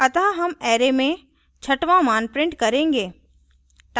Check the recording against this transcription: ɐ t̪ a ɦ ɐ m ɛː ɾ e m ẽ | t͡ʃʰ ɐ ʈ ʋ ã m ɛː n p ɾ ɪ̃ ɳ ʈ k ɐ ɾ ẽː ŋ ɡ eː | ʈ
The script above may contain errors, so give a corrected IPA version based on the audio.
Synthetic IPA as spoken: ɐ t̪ a ɦ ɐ m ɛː ɾ e m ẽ | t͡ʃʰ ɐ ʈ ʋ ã m aː n p ɾ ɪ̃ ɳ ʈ k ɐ ɾ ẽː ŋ ɡ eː | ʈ

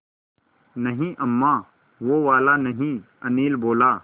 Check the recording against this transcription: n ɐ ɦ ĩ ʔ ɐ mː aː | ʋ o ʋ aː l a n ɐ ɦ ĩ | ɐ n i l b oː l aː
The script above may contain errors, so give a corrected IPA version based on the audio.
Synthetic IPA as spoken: n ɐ ɦ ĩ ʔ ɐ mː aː | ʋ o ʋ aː l a n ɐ ɦ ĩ | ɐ n iː l b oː l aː

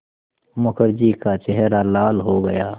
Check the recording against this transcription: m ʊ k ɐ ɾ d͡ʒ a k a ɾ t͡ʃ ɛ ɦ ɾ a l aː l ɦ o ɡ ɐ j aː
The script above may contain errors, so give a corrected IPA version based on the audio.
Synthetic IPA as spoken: m ʊ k ə ɾ d͡ʒ i k a t͡ʃ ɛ ɦ ɾ a l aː l ɦ o ɡ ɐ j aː

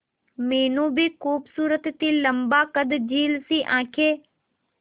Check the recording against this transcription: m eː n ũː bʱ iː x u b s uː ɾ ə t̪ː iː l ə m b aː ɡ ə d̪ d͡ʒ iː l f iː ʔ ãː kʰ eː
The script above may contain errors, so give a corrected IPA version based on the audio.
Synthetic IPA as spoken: m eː n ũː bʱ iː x uː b s uː ɾ ə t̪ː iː l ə m b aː k ə d̪ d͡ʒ iː l s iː ʔ ãː kʰ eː

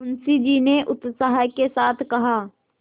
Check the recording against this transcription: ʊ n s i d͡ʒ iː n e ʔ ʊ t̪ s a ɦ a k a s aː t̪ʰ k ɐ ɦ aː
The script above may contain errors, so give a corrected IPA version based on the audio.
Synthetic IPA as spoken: ʊ n s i d͡ʒ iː n e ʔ ʊ t̪ s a ɦ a k e s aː t̪ʰ k ɐ ɦ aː

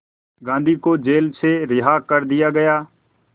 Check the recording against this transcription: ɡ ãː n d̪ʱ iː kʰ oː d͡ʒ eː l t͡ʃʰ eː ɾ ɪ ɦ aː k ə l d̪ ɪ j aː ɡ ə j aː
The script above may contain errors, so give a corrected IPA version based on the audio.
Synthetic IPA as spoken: ɡ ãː n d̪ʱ iː k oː d͡ʒ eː l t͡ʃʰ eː ɾ ɪ ɦ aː k ə ɾ d̪ ɪ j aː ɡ ə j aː

